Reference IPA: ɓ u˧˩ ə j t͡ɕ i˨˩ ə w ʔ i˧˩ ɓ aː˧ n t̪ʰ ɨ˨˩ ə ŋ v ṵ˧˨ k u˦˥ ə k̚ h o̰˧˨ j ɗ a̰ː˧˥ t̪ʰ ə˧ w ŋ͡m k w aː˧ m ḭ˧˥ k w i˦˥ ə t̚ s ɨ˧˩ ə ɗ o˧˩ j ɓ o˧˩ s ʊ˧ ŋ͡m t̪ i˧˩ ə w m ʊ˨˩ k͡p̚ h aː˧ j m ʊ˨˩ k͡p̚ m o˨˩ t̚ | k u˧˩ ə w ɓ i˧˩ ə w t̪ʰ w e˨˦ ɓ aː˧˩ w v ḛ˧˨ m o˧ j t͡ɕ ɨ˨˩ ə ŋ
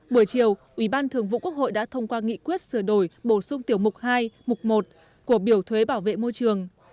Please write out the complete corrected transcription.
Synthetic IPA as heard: ɓ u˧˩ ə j t͡ɕ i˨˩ ə w ʔ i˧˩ ɓ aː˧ n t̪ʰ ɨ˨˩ ə ŋ v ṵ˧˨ k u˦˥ ə k̚ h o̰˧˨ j ɗ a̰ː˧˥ t̪ʰ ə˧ w ŋ͡m k w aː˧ ŋ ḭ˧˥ k w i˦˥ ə t̚ s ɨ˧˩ ə ɗ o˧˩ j ɓ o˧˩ s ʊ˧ ŋ͡m t̪ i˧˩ ə w m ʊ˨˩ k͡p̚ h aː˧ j m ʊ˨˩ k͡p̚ m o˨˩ t̚ | k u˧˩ ə ɓ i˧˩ ə w t̪ʰ w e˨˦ ɓ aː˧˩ w v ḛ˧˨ m o˧ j t͡ɕ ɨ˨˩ ə ŋ